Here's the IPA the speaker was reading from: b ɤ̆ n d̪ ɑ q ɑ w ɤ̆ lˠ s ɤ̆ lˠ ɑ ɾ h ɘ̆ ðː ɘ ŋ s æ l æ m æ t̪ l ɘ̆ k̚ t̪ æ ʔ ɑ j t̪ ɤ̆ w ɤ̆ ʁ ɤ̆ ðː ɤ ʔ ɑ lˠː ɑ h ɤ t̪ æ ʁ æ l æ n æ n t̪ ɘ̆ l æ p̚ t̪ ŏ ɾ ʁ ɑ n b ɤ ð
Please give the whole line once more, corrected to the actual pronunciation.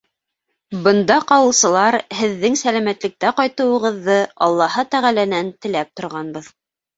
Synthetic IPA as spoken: b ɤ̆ n d̪ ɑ q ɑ w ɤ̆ lˠ s ɤ̆ lˠ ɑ ɾ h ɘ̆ ðː ɘ ŋ s æ l æ m æ t̪ l ɘ̆ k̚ t̪ æ q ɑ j t̪ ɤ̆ w ɤ̆ ʁ ɤ̆ ðː ɤ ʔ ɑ lˠː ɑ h ɤ t̪ æ ʁ æ l æ n æ n t̪ ɘ̆ l æ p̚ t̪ ŏ ɾ ʁ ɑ n b ɤ ð